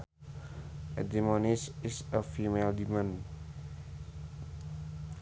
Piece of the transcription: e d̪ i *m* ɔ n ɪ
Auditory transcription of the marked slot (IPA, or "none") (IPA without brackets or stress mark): m